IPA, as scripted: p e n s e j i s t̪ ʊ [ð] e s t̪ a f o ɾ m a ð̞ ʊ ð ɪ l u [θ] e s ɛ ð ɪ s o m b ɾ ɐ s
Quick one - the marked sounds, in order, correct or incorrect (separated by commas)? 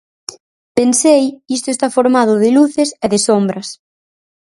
incorrect, correct